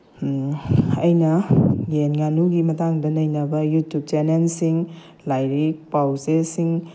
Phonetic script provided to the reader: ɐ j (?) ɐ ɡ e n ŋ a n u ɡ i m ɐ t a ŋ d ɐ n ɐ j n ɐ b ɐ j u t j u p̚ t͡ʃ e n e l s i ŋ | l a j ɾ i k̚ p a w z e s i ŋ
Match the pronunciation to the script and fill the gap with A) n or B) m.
A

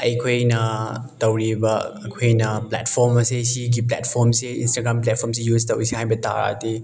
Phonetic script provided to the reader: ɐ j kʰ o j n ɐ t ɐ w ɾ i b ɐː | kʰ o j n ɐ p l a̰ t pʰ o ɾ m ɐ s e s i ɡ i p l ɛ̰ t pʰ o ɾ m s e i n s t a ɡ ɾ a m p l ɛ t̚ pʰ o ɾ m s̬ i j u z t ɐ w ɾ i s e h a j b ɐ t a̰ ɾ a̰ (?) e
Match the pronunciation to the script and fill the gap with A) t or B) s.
A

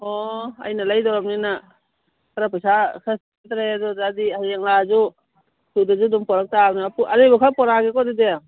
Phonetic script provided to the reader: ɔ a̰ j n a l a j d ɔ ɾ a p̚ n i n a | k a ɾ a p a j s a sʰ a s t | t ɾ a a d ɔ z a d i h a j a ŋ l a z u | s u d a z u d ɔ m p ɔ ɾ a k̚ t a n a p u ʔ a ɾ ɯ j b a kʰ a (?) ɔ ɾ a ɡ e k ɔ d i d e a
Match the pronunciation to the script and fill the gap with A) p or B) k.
A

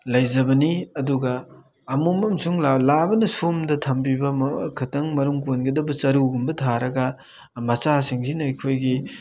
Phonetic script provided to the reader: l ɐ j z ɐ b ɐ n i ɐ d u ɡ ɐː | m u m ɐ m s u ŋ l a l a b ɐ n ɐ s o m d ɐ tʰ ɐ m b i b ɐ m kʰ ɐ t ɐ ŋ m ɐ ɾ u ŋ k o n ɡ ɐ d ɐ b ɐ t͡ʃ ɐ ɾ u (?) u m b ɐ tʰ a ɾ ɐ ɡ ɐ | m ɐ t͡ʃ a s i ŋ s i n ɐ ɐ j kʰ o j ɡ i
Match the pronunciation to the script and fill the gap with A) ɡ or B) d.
A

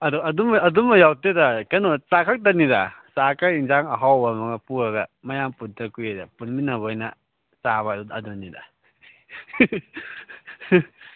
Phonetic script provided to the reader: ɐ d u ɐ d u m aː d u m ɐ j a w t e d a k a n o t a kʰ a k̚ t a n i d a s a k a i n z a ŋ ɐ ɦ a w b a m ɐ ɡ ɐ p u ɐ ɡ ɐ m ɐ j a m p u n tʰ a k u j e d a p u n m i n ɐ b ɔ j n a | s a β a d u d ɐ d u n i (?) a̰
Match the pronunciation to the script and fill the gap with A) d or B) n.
A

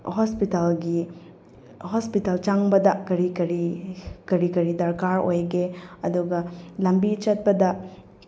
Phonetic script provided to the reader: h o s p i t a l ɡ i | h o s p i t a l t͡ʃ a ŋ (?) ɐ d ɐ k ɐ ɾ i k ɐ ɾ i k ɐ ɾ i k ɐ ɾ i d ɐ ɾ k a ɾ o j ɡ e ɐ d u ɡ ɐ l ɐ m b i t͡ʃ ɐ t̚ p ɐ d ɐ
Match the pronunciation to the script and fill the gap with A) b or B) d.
A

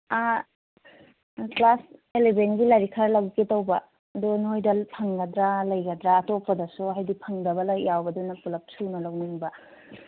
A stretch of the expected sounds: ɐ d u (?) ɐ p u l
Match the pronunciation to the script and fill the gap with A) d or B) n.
B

